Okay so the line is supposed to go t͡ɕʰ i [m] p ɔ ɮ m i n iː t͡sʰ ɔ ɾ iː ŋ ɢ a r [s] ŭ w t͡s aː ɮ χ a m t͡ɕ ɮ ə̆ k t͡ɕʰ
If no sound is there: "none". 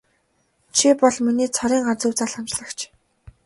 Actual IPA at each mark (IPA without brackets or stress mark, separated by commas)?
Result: none, t͡s